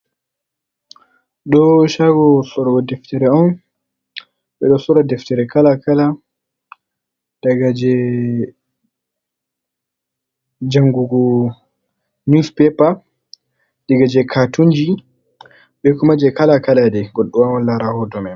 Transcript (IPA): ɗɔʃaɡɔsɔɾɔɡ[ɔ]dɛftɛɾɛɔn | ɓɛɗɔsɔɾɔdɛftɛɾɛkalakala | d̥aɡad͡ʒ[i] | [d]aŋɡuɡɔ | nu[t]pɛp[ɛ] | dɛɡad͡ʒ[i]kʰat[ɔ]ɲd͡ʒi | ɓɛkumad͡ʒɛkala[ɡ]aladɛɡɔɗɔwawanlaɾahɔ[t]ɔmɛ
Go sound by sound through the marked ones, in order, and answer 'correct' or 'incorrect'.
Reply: correct, incorrect, incorrect, incorrect, incorrect, incorrect, incorrect, incorrect, incorrect

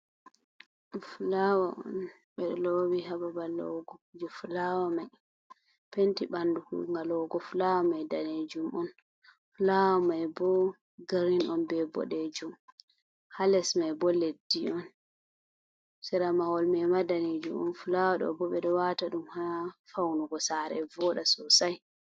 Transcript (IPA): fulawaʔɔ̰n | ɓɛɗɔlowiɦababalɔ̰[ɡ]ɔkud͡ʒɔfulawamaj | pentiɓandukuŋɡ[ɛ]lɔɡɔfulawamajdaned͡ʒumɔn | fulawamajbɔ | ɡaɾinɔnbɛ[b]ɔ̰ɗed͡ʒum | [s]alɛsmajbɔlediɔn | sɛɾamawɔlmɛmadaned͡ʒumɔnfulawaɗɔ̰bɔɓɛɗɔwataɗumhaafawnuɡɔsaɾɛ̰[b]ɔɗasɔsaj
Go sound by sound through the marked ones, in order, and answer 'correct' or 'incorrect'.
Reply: correct, incorrect, correct, incorrect, incorrect

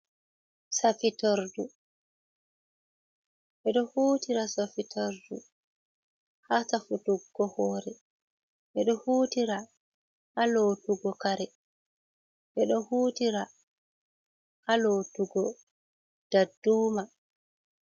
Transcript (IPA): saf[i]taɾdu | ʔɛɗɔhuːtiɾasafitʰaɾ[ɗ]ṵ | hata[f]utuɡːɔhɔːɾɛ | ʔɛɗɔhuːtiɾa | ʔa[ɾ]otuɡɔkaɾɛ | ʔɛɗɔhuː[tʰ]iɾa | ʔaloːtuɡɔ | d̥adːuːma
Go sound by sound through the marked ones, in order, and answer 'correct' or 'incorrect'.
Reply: correct, incorrect, correct, incorrect, incorrect

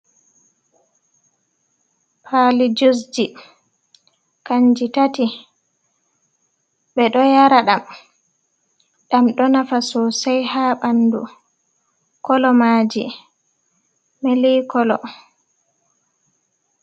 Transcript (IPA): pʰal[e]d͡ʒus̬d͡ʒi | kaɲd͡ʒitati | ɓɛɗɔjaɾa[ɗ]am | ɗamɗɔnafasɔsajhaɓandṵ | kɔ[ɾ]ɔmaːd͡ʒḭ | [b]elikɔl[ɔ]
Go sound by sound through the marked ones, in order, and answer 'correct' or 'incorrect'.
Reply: incorrect, correct, incorrect, incorrect, correct

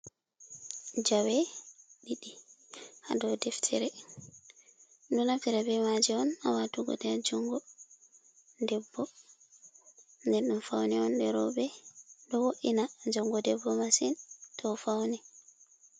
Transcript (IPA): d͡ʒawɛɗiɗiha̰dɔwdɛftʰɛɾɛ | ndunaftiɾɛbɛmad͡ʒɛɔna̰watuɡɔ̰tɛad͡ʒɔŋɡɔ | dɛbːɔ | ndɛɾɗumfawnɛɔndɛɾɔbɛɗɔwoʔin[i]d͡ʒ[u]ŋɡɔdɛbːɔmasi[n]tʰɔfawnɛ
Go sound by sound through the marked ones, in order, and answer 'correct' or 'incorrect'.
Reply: incorrect, incorrect, correct

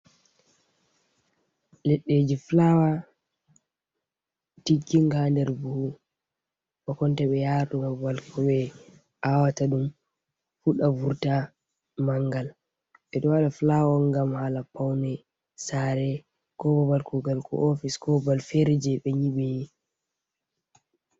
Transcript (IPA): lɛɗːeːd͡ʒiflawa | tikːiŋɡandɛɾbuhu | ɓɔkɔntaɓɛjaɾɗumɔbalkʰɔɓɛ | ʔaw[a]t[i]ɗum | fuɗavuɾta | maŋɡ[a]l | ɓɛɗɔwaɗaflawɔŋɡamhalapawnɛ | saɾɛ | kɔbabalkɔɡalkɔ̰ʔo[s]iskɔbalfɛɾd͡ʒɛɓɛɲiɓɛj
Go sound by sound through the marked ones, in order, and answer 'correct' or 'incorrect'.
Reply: correct, incorrect, correct, incorrect

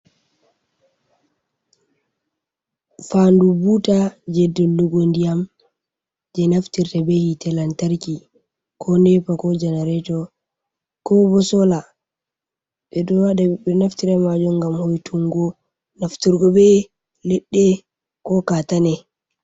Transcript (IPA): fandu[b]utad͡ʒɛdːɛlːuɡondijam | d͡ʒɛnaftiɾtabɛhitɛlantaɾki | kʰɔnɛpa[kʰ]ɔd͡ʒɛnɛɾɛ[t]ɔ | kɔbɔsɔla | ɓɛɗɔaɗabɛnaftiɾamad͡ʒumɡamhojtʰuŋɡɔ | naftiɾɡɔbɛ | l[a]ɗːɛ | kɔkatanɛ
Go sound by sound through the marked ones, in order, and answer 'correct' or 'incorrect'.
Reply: correct, incorrect, correct, incorrect

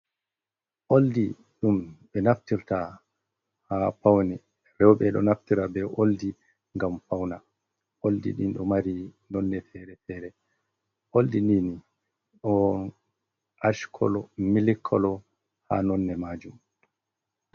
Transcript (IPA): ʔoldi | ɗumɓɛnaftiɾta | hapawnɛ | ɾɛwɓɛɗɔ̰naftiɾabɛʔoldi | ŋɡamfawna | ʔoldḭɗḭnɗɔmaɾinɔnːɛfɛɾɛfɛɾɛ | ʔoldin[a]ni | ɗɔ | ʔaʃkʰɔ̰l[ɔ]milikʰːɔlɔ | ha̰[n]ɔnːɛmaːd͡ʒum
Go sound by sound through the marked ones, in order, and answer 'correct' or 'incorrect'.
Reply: incorrect, correct, correct

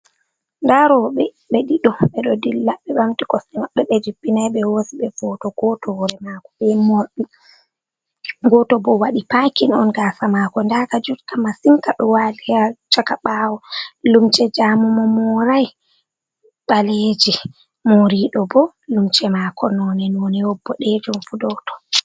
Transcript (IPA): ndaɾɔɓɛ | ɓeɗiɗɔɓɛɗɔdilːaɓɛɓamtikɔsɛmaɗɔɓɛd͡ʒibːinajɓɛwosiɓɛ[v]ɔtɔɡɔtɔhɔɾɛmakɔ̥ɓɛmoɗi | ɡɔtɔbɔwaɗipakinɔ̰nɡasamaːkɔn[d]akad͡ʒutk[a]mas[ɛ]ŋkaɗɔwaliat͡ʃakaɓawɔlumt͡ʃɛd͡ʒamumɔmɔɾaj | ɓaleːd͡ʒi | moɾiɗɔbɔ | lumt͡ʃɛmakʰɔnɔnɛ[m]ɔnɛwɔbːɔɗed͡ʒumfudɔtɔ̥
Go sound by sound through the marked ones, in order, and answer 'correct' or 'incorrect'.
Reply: correct, correct, correct, incorrect, incorrect

